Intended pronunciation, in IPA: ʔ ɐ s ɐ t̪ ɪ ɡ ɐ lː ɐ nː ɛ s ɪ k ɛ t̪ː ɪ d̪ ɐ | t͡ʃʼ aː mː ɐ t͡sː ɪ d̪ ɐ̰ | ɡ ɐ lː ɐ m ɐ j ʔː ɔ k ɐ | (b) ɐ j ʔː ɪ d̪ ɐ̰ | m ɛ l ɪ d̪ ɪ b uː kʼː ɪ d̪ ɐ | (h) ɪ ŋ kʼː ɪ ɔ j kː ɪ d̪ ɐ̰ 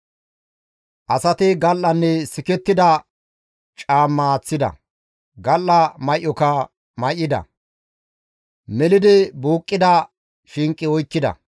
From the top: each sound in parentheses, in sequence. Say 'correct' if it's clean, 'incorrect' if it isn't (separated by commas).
incorrect, incorrect